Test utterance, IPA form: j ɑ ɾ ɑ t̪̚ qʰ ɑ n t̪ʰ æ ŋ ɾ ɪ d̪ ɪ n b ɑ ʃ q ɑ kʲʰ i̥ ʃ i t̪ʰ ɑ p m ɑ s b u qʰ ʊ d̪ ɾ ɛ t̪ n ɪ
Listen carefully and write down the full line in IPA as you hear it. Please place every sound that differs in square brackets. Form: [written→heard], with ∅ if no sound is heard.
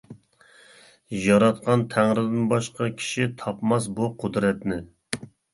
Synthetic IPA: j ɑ ɾ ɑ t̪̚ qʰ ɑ n t̪ʰ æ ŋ ɾ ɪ d̪ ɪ n b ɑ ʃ q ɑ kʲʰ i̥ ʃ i t̪ʰ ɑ p m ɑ s b u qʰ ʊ d̪ ɾ ɛ t̪ n ɪ